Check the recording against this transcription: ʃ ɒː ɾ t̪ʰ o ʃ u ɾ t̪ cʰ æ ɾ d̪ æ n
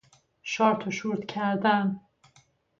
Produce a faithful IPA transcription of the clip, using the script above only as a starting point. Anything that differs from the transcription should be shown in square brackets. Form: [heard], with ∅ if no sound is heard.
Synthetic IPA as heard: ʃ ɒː ɾ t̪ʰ o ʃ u ɾ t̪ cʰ æ ɾ d̪ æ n